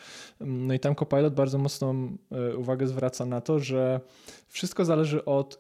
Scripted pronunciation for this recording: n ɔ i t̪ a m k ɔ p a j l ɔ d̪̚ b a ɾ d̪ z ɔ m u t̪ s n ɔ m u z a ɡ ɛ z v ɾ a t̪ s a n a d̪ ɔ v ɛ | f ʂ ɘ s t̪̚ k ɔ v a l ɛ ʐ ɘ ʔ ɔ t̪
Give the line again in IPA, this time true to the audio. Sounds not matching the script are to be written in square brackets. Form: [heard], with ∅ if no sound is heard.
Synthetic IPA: n ɔ i t̪ a m k ɔ p a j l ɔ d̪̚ b a ɾ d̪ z ɔ m [ɔ] t̪ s n ɔ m u [v] a ɡ ɛ z v ɾ a t̪ s a n a [t̪] ɔ [ʐ] ɛ | f ʂ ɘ s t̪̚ k ɔ [z] a l ɛ ʐ ɘ ʔ ɔ t̪